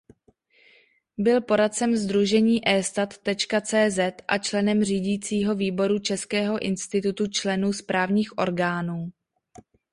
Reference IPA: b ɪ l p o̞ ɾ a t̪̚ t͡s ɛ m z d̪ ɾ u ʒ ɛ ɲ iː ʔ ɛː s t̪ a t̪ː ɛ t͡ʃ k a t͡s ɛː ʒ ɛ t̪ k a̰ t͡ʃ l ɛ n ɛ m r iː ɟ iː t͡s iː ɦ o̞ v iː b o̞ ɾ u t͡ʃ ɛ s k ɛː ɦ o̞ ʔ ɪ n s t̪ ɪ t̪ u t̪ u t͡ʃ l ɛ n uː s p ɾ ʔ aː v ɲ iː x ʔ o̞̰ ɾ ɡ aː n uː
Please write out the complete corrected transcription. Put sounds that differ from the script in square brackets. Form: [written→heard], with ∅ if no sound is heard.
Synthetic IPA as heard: b ɪ l p o̞ ɾ a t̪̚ t͡s ɛ m z d̪ ɾ u ʒ ɛ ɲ iː ʔ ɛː s t̪ a t̪ː ɛ t͡ʃ k a t͡s ɛː [ʒ→z] ɛ t̪ [k→ʔ] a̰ t͡ʃ l ɛ n ɛ m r iː ɟ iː t͡s iː ɦ o̞ v iː b o̞ ɾ u t͡ʃ ɛ s k ɛː ɦ o̞ ʔ ɪ n s t̪ ɪ t̪ u t̪ u t͡ʃ l ɛ n uː s p ɾ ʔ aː v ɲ iː x ʔ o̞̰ ɾ ɡ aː n uː